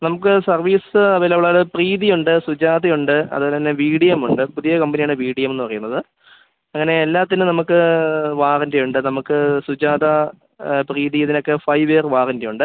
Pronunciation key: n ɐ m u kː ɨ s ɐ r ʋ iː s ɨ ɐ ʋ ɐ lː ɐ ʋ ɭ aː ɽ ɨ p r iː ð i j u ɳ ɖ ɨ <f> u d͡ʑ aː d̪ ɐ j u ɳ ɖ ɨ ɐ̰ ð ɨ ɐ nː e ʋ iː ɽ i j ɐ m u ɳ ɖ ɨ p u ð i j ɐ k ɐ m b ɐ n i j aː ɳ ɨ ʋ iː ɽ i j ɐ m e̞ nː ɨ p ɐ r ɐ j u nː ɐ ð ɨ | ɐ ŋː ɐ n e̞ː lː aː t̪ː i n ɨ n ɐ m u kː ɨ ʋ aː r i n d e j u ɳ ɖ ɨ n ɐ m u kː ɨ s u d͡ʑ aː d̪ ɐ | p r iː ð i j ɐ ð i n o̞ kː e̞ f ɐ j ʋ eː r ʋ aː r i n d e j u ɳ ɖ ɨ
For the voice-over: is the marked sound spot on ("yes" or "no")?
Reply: no